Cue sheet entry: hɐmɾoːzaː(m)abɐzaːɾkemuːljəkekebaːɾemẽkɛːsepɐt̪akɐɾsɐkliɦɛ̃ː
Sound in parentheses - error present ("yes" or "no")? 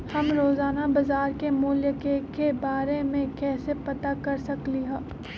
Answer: yes